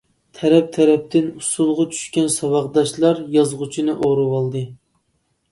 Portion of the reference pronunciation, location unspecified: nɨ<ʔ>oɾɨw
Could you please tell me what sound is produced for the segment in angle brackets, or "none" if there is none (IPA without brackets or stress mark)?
ʔ